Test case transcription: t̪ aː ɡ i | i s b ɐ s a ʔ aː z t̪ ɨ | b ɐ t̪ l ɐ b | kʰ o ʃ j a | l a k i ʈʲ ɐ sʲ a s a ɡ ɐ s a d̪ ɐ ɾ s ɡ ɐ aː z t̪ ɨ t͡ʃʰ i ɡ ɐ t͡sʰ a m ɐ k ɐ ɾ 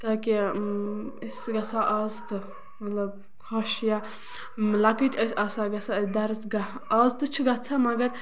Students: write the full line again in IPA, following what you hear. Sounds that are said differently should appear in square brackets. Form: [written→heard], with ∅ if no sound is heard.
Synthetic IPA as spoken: t̪ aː [ɡ→k] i | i s [b→ɡ] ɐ s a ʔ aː z t̪ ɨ | [b→m] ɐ t̪ l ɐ b | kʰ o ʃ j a | l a k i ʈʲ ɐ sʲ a s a ɡ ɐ s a d̪ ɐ ɾ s ɡ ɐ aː z t̪ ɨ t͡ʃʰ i ɡ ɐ t͡sʰ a m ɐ [k→ɡ] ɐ ɾ